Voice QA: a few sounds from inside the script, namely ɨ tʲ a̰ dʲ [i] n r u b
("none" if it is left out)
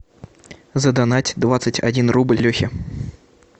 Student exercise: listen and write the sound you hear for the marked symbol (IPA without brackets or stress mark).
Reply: i